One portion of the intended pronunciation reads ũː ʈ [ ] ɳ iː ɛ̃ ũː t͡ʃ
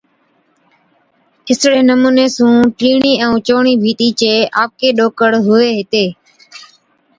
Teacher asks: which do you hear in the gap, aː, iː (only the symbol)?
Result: iː